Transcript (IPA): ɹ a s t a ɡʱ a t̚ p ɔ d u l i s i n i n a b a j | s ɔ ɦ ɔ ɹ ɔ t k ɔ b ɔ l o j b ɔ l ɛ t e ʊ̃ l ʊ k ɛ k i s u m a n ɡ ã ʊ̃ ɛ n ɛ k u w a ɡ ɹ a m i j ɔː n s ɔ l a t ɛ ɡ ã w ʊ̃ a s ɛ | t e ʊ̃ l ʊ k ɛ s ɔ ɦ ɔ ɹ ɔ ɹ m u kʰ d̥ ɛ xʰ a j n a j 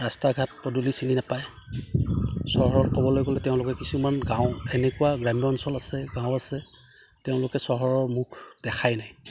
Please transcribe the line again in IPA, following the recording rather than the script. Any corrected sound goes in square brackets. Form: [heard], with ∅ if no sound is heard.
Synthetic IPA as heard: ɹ a s t a ɡʱ a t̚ p ɔ d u l i s i n i n a [p] a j | s ɔ ɦ ɔ ɹ ɔ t k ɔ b ɔ l o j [ɡ] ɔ l ɛ t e ʊ̃ l ʊ k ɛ k i s u m a n ɡ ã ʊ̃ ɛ n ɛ k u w a ɡ ɹ a m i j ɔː n s ɔ l a [s] ɛ ɡ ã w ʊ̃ a s ɛ | t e ʊ̃ l ʊ k ɛ s ɔ ɦ ɔ ɹ ɔ ɹ m u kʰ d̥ ɛ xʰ a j n a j